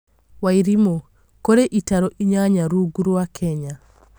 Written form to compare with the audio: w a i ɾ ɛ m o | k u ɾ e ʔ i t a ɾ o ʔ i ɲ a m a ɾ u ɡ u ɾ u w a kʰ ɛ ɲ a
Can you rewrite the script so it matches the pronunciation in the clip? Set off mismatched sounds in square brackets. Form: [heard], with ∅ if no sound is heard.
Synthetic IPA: w a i ɾ [i] m o | k [o] ɾ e ʔ i t a ɾ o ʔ i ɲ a [ɲ] a ɾ u ɡ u ɾ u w a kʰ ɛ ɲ a